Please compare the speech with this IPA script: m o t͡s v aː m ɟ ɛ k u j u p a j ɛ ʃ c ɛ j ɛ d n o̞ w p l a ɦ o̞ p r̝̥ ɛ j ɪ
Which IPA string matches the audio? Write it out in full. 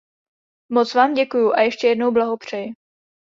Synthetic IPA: m o t͡s v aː m ɟ ɛ k u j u ʔ a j ɛ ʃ c ɛ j ɛ d n o̞ w b l a ɦ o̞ p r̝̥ ɛ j ɪ